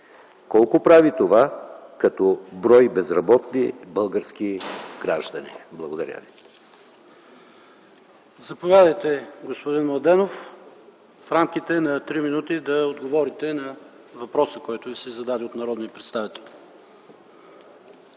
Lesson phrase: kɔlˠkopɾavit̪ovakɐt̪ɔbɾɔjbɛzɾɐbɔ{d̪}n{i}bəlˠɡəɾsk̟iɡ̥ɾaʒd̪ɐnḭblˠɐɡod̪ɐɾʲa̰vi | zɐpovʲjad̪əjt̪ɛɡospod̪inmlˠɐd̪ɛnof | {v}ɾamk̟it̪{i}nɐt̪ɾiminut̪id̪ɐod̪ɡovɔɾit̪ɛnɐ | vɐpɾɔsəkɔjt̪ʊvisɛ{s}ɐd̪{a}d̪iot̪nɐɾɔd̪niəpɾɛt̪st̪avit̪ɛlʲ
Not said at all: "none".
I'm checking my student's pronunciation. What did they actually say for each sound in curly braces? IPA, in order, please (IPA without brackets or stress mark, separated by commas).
t̪, i, f, ɛ, z, a